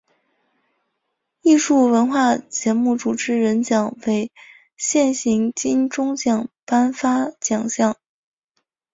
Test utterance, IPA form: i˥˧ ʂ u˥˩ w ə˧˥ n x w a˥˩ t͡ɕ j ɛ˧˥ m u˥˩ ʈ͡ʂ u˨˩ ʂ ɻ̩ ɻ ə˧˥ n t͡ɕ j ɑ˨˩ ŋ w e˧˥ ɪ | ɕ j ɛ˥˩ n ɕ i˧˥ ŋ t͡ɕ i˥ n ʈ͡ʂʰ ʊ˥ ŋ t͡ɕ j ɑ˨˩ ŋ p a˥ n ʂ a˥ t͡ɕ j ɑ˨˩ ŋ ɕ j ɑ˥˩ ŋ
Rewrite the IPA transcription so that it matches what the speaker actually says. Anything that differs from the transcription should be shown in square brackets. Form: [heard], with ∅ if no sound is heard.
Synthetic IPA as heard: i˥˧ ʂ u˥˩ w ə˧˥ n x w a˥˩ t͡ɕ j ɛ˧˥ m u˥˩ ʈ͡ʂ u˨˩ [ʈ͡ʂ] ɻ̩ ɻ ə˧˥ n t͡ɕ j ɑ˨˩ ŋ w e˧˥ ɪ | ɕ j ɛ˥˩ n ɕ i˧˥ ŋ t͡ɕ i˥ n [ʈ͡ʂ] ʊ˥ ŋ t͡ɕ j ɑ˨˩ ŋ p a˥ n [f] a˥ t͡ɕ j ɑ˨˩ ŋ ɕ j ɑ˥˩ ŋ

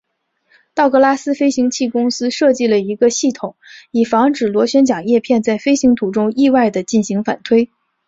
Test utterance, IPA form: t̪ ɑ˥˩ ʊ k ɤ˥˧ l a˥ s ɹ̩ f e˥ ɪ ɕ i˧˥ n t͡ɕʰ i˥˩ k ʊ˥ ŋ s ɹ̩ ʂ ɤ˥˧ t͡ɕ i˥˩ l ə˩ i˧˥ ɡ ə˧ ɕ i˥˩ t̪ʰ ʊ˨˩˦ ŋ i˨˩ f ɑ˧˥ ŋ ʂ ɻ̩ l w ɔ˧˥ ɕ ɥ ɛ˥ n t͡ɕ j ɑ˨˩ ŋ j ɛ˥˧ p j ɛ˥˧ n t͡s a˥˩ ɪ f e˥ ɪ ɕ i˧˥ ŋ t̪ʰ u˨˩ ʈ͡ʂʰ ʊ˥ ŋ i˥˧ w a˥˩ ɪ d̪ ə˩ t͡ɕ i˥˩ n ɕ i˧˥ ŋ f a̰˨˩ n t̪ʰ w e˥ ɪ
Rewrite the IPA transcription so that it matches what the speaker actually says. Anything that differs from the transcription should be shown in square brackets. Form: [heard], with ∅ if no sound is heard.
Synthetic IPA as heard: t̪ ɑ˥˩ ʊ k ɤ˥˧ l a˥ s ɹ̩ f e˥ ɪ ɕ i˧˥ [ŋ] t͡ɕʰ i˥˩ k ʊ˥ ŋ s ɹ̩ ʂ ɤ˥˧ t͡ɕ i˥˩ l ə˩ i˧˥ ɡ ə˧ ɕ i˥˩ t̪ʰ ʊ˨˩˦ ŋ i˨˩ f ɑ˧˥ ŋ [ʈ͡ʂ] ɻ̩ l w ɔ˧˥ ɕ ɥ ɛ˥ n t͡ɕ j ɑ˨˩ ŋ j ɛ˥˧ [pʰ] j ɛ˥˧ n t͡s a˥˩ ɪ f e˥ ɪ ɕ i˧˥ ŋ t̪ʰ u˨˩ [ʈ͡ʂ] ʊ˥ ŋ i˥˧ w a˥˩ ɪ d̪ ə˩ t͡ɕ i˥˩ n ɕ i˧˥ ŋ f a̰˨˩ n t̪ʰ w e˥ ɪ

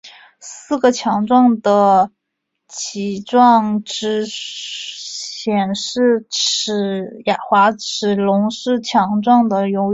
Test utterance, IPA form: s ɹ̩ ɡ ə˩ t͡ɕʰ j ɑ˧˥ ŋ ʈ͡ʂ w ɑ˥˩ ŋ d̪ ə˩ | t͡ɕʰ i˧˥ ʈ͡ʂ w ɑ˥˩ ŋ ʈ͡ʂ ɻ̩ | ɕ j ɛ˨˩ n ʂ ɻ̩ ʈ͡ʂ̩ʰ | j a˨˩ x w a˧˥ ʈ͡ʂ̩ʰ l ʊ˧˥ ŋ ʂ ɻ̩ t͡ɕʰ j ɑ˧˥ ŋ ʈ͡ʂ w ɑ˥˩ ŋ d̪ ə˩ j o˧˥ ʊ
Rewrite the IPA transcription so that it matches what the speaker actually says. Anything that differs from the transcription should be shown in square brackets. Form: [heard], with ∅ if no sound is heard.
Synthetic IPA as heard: s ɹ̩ ɡ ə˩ t͡ɕʰ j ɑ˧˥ ŋ ʈ͡ʂ w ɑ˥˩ ŋ d̪ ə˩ | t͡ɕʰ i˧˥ ʈ͡ʂ w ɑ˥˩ ŋ ʈ͡ʂ ɻ̩ | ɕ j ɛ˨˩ n ʂ ɻ̩ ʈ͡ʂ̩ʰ | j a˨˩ x w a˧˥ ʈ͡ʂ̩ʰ l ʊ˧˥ ŋ ʂ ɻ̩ t͡ɕʰ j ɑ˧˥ ŋ ʈ͡ʂ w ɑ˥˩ ŋ d̪ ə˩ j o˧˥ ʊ

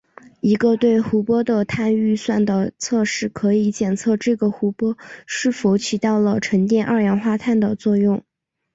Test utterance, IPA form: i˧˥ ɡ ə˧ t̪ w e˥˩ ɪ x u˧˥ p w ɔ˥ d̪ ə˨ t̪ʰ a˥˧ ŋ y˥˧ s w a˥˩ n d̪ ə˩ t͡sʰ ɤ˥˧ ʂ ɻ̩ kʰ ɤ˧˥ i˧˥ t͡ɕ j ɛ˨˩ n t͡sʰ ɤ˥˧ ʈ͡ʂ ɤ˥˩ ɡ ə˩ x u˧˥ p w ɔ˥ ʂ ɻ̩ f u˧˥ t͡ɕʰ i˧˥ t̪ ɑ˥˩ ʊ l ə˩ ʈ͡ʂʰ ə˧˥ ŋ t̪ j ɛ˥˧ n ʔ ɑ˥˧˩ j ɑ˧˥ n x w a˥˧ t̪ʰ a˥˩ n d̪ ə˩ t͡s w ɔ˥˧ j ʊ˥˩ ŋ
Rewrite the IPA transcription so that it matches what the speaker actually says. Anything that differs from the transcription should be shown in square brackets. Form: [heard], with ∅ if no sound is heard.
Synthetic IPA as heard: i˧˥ ɡ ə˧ t̪ w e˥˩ ɪ x u˧˥ p w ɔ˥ d̪ ə˨ t̪ʰ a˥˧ [n] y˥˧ s w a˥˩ n d̪ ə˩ t͡sʰ ɤ˥˧ ʂ ɻ̩ kʰ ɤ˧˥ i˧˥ t͡ɕ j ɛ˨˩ n t͡sʰ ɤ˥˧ ʈ͡ʂ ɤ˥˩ ɡ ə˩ x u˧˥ p w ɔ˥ ʂ ɻ̩ f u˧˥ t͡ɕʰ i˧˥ t̪ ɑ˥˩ ʊ l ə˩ ʈ͡ʂʰ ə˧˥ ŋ t̪ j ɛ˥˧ n ʔ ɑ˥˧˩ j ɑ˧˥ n x w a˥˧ t̪ʰ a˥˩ n d̪ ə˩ t͡s w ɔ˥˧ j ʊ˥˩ ŋ

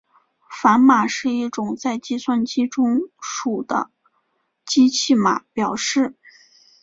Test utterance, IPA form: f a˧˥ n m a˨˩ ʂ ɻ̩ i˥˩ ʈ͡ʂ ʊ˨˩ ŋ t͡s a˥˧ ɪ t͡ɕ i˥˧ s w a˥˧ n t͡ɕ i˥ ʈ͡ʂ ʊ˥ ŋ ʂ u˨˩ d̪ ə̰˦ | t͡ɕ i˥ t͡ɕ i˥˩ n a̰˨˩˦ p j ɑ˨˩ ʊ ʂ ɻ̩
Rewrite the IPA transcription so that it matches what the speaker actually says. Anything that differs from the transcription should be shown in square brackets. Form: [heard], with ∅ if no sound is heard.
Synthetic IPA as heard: f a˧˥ n m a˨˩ ʂ ɻ̩ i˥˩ ʈ͡ʂ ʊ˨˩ ŋ t͡s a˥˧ ɪ t͡ɕ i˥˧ s w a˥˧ n t͡ɕ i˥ ʈ͡ʂ ʊ˥ ŋ ʂ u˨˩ d̪ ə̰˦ | t͡ɕ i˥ [t͡ɕʰ] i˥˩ [m] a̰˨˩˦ p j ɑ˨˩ ʊ ʂ ɻ̩

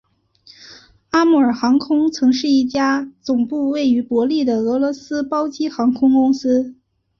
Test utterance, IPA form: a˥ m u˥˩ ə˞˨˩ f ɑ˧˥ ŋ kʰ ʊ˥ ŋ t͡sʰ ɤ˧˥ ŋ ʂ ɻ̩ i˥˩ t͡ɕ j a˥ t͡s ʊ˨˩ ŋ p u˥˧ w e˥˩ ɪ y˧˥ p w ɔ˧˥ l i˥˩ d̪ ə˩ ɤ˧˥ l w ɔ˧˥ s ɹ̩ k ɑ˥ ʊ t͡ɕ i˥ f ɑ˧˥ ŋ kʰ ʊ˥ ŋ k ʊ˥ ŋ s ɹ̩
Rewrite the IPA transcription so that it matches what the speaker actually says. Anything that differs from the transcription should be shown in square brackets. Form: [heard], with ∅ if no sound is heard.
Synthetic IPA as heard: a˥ m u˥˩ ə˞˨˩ [x] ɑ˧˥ ŋ kʰ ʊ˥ ŋ t͡sʰ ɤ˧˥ ŋ ʂ ɻ̩ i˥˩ t͡ɕ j a˥ t͡s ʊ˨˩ ŋ p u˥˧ w e˥˩ ɪ y˧˥ p w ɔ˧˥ l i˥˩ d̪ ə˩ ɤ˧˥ l w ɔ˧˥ s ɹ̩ [p] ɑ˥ ʊ t͡ɕ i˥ [x] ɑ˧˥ ŋ kʰ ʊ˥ ŋ k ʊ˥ ŋ s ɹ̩

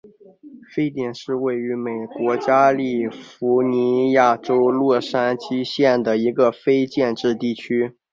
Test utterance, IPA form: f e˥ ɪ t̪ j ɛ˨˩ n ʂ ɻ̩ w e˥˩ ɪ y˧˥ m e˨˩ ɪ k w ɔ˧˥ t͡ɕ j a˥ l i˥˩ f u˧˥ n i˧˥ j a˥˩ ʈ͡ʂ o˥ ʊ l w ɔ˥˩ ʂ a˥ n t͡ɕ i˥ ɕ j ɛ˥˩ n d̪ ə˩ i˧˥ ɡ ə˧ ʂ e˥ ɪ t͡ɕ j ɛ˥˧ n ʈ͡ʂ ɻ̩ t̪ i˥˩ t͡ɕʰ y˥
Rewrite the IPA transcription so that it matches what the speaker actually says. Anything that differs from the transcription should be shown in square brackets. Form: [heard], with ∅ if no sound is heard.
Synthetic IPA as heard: f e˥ ɪ t̪ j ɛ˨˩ n ʂ ɻ̩ w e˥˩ ɪ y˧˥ m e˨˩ ɪ k w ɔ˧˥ t͡ɕ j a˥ l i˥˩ f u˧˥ n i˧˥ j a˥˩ ʈ͡ʂ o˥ ʊ l w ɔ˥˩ ʂ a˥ n t͡ɕ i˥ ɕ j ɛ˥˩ n d̪ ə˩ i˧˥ ɡ ə˧ [f] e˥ ɪ t͡ɕ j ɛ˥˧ n ʈ͡ʂ ɻ̩ t̪ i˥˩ t͡ɕʰ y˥

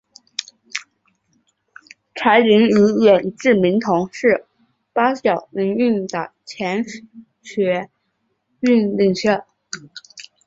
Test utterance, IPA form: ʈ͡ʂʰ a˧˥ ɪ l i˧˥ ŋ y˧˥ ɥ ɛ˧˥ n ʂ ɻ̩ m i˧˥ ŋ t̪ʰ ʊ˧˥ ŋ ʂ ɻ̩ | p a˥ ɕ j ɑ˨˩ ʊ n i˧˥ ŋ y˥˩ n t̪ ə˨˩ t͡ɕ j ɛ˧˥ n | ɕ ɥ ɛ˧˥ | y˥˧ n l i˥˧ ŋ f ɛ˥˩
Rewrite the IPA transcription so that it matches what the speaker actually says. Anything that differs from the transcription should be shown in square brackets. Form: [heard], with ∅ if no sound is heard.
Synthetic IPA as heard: ʈ͡ʂʰ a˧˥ ɪ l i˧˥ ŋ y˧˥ ɥ [ɛ˨˩] n [ʈ͡ʂ] ɻ̩ m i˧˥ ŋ t̪ʰ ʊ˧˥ ŋ ʂ ɻ̩ | p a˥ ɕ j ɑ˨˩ ʊ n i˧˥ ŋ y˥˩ n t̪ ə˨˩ [t͡ɕʰ] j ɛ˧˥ n | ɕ ɥ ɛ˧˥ | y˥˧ n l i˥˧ ŋ [ɕ] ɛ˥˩

